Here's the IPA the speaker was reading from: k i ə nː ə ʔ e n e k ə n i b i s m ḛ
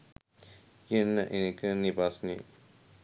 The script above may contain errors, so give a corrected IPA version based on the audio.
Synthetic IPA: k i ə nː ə ʔ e n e k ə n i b a s n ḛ